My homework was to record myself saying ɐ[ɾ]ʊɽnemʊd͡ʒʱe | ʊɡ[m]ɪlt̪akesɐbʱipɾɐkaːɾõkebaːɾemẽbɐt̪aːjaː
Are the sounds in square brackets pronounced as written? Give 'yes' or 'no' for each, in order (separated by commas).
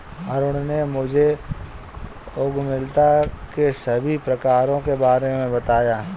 yes, yes